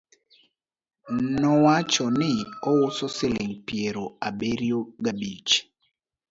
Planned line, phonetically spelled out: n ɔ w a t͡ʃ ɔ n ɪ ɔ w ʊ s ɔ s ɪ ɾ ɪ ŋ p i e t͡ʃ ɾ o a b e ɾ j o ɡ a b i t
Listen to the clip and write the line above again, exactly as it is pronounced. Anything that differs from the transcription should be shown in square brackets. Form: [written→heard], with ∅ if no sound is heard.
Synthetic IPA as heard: n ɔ w a t͡ʃ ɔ n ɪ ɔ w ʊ s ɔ s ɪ [ɾ→l] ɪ ŋ p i e [t͡ʃ→∅] ɾ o a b e ɾ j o ɡ a b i [t→t͡ʃ]